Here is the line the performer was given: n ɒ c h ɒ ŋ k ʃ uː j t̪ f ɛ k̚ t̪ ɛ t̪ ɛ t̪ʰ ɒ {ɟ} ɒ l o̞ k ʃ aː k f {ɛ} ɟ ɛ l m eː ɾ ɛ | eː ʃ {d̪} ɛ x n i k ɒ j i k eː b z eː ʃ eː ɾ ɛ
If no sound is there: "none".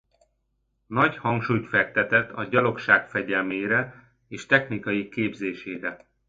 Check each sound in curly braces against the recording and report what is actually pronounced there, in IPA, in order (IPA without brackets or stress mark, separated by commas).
ɟ, ɛ, t̪